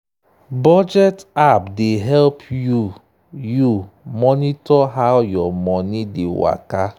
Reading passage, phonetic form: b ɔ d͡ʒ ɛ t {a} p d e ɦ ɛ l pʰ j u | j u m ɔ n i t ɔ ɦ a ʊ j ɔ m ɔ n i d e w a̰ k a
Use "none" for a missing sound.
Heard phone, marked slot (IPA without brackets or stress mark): a